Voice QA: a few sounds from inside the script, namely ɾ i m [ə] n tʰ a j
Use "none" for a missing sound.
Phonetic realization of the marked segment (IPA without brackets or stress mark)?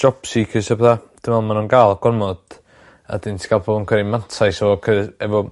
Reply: a